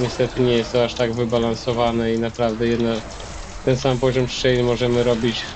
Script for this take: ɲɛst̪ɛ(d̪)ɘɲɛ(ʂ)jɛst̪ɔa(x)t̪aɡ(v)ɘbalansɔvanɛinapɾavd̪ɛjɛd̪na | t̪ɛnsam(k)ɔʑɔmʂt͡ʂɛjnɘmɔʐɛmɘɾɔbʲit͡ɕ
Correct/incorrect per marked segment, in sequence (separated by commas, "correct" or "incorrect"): incorrect, incorrect, incorrect, correct, incorrect